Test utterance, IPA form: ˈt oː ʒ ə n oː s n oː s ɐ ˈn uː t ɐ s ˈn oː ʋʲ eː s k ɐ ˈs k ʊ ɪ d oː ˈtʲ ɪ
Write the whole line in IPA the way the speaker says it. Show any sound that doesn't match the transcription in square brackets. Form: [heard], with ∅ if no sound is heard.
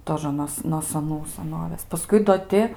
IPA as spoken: ˈt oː ʒ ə n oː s n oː s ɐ ˈn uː [s] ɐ [∅] ˈn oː ʋʲ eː s [p] ɐ ˈs k ʊ ɪ d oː ˈtʲ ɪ